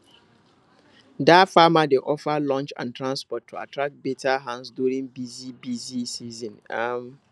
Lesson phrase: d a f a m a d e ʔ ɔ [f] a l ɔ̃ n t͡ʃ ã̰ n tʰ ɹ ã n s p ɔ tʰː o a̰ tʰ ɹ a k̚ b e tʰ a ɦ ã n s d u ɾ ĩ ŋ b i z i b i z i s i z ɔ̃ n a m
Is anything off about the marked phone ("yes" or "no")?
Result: no